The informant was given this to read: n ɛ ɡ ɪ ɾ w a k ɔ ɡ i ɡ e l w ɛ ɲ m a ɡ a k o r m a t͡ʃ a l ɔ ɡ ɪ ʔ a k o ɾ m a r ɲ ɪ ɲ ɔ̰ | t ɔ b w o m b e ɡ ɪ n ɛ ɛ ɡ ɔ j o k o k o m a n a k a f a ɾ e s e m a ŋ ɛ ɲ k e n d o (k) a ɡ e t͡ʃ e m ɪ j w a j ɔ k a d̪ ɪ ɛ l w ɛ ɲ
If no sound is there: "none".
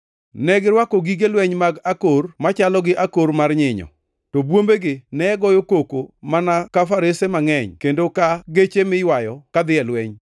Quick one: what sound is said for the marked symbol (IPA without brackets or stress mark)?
k